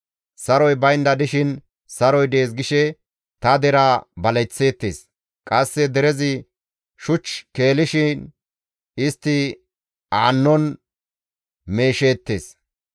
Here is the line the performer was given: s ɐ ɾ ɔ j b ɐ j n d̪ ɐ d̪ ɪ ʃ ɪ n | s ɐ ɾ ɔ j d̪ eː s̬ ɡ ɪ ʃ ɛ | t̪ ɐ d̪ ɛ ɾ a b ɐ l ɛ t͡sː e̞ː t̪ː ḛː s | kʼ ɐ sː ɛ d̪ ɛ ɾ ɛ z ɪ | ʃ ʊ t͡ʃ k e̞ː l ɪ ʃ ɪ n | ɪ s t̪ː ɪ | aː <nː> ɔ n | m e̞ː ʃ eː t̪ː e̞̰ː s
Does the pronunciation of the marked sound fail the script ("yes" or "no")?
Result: no